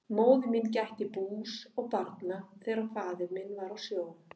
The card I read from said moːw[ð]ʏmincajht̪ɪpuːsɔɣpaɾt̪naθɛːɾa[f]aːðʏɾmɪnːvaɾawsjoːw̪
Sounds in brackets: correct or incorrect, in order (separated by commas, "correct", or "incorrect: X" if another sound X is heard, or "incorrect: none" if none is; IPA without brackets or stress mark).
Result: correct, correct